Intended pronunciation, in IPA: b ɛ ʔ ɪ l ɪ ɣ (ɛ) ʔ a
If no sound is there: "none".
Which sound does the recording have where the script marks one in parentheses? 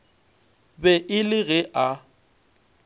ɛ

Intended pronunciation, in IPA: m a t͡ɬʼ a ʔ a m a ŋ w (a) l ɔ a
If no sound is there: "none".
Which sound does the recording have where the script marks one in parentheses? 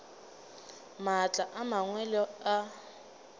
ɛ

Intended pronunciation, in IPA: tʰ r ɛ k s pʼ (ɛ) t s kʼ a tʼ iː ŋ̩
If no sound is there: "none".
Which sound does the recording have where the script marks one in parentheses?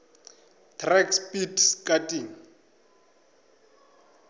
i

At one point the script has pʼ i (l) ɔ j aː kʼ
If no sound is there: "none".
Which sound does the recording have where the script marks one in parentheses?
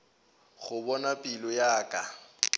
l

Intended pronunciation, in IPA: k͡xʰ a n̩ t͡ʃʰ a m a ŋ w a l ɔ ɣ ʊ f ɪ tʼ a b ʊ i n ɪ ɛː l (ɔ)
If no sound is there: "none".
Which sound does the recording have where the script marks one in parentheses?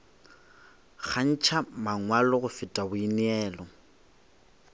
ɔ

